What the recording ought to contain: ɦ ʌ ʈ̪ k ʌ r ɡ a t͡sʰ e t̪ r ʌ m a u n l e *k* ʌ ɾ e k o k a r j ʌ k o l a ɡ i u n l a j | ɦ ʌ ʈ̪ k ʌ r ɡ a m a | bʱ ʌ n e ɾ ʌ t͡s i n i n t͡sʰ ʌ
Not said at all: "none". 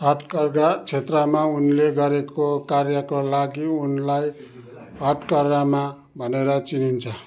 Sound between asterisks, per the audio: ɡ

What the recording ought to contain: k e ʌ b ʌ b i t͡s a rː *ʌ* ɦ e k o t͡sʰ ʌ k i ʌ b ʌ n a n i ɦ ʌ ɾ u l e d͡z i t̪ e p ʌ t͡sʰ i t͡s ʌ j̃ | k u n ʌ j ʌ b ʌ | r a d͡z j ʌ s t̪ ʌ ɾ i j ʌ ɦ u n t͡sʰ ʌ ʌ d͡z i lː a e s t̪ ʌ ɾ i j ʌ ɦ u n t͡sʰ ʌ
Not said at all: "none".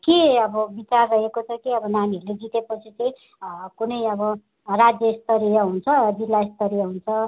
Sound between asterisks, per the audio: ʌ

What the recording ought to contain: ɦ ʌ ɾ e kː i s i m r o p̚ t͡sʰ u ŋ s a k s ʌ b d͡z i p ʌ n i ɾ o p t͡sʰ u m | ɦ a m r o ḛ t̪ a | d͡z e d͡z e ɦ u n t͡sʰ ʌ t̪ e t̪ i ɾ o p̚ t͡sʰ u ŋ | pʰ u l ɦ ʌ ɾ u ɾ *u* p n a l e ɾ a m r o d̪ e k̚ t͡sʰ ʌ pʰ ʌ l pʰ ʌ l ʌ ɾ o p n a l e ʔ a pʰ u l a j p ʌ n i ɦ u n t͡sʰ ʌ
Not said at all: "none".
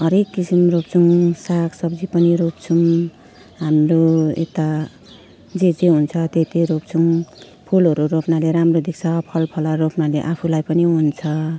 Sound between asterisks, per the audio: o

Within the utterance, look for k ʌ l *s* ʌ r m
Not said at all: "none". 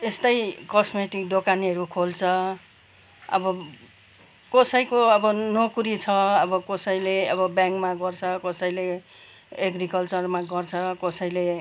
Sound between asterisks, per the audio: t͡s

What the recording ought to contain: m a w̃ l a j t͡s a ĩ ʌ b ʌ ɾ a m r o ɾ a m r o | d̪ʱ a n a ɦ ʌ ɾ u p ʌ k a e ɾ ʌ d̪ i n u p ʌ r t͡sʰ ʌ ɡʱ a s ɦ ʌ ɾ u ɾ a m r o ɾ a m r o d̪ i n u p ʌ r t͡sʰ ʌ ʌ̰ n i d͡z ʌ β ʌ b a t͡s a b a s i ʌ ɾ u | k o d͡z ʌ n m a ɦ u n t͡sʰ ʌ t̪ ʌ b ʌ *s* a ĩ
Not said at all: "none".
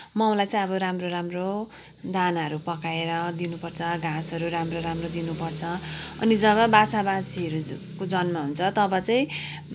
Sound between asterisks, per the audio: t͡s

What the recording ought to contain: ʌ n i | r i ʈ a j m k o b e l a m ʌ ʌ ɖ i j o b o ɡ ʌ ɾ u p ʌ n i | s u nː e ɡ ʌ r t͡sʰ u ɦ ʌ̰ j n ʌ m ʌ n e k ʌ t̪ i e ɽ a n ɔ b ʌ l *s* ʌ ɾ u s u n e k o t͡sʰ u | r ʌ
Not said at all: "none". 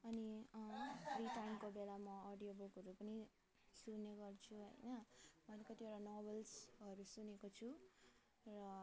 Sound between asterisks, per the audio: s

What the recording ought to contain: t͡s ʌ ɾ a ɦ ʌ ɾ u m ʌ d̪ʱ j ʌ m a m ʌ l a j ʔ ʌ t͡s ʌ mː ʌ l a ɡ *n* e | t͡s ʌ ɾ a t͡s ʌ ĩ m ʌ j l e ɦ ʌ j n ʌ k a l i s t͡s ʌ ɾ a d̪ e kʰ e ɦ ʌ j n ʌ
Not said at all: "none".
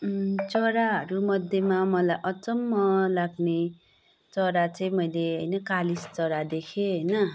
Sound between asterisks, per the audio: n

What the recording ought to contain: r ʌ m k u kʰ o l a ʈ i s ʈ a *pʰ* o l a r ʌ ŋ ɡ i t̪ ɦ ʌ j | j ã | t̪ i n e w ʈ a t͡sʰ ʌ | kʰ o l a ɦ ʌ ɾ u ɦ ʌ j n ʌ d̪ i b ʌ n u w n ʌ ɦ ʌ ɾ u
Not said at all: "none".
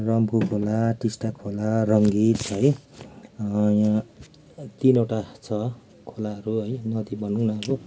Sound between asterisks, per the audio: kʰ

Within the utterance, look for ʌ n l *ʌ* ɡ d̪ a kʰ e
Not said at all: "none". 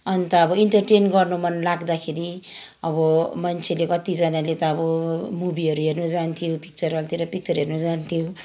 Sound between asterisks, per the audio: a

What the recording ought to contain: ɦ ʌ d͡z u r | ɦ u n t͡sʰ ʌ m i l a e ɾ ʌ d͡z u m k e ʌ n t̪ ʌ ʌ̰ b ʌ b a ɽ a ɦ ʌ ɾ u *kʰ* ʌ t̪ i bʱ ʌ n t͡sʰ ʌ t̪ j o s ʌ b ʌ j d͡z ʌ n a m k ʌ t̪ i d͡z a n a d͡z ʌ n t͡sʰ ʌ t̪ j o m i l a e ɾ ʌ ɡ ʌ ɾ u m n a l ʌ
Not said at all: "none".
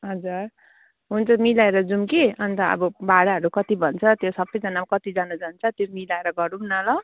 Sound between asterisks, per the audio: k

